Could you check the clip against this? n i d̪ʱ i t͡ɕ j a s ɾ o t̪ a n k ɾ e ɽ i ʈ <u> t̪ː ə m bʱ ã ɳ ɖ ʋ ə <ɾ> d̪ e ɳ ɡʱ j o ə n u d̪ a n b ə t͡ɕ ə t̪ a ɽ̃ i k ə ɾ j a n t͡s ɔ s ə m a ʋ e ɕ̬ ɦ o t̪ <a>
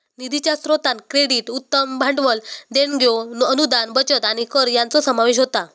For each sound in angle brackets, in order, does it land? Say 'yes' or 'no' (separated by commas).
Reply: yes, no, yes